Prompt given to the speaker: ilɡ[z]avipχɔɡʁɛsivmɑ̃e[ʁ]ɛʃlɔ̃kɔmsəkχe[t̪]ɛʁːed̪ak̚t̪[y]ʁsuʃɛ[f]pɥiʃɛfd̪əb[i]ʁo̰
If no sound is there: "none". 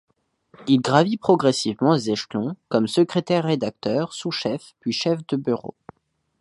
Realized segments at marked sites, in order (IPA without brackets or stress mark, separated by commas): ʁ, z, t̪, œ, f, y